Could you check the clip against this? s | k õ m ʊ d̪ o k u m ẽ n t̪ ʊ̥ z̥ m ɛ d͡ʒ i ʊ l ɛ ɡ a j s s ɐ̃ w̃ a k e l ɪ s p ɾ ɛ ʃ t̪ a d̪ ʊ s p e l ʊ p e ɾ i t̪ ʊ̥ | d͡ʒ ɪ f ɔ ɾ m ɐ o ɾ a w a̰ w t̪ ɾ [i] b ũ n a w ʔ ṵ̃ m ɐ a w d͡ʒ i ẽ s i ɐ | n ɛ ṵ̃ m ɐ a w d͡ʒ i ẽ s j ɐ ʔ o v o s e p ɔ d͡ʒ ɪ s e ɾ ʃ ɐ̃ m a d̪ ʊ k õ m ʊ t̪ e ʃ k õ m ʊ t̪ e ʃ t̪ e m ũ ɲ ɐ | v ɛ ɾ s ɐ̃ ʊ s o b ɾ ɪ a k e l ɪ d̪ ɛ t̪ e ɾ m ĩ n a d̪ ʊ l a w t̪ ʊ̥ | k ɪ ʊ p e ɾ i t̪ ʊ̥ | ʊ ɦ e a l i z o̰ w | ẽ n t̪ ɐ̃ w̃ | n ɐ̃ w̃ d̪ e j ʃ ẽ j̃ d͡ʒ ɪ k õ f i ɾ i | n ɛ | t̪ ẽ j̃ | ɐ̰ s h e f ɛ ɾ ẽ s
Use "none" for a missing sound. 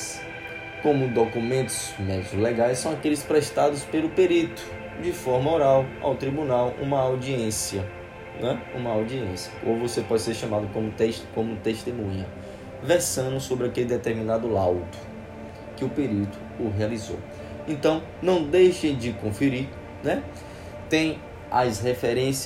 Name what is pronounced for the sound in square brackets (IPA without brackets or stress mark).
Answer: i